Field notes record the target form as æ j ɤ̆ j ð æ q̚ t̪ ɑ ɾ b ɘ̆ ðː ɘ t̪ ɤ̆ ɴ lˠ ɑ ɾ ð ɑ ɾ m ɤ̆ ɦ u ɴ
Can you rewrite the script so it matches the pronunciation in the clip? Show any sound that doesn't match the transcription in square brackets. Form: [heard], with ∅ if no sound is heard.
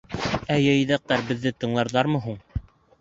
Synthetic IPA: æ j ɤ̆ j ð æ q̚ t̪ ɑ ɾ b ɘ̆ ðː ɘ t̪ ɤ̆ ɴ lˠ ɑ ɾ ð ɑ ɾ m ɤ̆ ɦ u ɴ